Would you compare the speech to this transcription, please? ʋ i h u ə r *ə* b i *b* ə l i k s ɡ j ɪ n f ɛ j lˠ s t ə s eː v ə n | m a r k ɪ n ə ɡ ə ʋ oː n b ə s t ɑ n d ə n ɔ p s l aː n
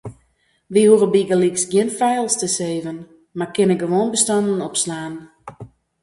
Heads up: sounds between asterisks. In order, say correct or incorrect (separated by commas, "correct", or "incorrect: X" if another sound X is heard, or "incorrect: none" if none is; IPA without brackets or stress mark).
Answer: correct, incorrect: ɡ